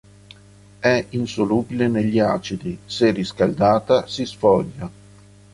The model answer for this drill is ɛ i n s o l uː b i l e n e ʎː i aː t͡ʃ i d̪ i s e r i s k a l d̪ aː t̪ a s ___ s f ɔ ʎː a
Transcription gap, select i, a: i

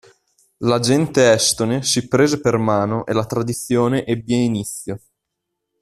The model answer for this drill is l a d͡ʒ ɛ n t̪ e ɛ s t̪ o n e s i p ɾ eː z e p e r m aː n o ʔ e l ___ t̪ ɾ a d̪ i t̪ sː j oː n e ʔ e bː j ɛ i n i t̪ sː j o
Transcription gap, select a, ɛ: a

